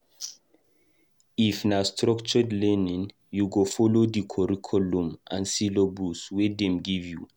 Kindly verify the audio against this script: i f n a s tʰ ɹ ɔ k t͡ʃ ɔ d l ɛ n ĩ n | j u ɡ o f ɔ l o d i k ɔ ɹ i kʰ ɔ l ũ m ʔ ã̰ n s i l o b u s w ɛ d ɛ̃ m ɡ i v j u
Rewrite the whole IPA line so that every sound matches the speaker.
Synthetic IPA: i f n a s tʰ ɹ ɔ k t͡ʃ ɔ d l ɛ n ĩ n | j u ɡ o f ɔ l o d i kʰ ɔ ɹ i kʰ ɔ l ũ m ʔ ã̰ n s i l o b u s w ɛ d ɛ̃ m ɡ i v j u